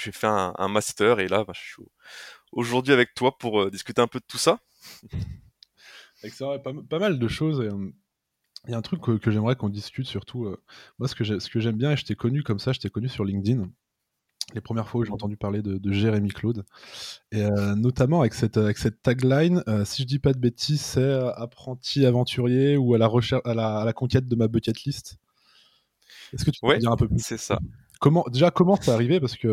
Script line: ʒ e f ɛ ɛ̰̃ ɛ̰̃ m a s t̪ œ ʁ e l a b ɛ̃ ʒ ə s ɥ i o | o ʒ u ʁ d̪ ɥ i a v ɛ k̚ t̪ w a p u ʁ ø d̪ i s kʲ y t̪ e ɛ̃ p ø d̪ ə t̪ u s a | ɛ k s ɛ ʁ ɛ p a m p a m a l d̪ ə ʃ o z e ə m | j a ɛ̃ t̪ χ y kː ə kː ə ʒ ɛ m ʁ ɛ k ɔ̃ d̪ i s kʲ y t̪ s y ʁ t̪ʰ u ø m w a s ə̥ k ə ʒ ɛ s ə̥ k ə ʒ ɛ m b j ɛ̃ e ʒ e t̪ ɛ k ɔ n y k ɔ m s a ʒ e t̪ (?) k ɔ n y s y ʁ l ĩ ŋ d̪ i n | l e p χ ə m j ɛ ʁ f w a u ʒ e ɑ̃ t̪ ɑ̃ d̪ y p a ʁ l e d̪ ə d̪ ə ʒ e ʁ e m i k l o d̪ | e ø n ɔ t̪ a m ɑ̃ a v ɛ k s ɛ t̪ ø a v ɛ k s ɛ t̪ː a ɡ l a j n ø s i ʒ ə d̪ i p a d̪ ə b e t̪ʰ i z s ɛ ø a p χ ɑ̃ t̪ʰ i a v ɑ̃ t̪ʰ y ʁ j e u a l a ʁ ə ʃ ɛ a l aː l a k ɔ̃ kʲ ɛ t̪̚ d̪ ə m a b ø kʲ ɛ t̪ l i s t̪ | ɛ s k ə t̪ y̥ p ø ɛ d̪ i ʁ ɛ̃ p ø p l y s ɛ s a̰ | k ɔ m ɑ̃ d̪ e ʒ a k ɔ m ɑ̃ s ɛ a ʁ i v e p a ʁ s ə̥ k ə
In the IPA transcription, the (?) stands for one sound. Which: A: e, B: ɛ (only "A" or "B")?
B